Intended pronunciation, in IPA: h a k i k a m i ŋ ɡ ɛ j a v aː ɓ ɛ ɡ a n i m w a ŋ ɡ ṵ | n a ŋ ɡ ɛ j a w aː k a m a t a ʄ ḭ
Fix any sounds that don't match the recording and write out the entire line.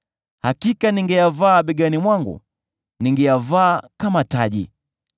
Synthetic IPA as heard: h a k i k a n i ŋ ɡ ɛ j a v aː ɓ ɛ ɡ a n i m w a ŋ ɡ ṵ | n i ŋ ɡ ɛ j a v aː k a m a t a ʄ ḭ